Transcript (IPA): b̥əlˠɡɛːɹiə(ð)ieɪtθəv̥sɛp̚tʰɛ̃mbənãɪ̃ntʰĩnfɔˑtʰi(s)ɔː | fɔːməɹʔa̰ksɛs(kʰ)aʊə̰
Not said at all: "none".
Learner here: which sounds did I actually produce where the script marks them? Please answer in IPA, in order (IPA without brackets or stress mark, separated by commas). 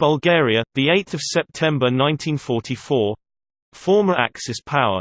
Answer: ð, f, pʰ